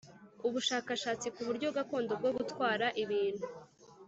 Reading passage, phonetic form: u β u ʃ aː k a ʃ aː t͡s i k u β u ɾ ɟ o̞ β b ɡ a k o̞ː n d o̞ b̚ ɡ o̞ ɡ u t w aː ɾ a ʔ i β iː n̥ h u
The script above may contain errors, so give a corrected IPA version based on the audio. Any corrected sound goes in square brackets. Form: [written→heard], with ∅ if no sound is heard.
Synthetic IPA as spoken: u β u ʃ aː k a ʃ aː t͡s i k u β u ɾ ɟ o̞ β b ɡ a k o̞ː n d o̞ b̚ ɡ o̞ ɡ u t w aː ɾ a ʔ i β iː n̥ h u